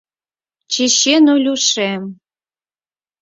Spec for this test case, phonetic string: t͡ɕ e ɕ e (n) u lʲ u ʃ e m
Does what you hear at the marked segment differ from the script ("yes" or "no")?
no